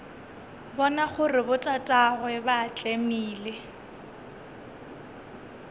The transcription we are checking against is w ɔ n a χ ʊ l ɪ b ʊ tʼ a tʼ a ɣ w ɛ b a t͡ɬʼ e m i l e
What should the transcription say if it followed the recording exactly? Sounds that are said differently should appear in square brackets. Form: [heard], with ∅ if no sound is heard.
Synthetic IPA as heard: [b] ɔ n a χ ʊ [r] ɪ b ʊ tʼ a tʼ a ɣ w ɛ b a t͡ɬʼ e m [iː] l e